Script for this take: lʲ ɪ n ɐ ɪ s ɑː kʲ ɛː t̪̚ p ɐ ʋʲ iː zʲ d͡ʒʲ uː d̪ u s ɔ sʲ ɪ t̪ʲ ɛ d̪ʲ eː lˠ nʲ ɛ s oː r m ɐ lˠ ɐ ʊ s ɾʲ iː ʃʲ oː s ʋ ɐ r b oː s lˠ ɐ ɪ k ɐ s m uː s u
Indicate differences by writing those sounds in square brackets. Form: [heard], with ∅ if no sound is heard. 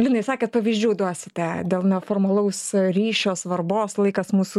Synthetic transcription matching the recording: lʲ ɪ n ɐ ɪ s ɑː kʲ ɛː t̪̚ p ɐ ʋʲ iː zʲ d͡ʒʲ uː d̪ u [∅] ɔ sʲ ɪ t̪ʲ ɛ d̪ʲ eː lˠ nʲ ɛ [f] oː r m ɐ lˠ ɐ ʊ s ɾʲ iː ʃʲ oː s ʋ ɐ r b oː s lˠ ɐ ɪ k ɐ s m uː s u